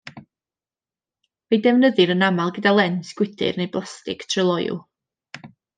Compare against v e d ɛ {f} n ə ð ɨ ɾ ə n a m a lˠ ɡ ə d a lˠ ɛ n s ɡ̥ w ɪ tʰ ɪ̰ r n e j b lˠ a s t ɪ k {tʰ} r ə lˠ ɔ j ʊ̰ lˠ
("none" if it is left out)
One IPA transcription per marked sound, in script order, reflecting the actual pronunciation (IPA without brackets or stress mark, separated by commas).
v, tʰ